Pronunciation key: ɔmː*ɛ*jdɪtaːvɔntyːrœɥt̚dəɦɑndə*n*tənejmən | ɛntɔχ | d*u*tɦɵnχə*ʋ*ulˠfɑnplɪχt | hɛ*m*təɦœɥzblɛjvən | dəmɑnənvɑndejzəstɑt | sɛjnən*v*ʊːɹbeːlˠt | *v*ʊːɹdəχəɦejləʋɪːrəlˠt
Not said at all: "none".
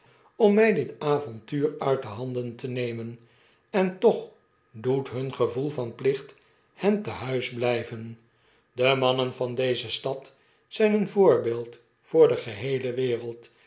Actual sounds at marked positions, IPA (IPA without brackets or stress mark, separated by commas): ɛ, n, u, v, n, v, f